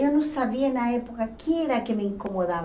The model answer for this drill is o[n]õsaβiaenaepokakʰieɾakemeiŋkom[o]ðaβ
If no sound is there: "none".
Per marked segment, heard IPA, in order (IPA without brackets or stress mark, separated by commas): n, o